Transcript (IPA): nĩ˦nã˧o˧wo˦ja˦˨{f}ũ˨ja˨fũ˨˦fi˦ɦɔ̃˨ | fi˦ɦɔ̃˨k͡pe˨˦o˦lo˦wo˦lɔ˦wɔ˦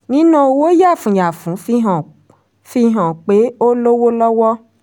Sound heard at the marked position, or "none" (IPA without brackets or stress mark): f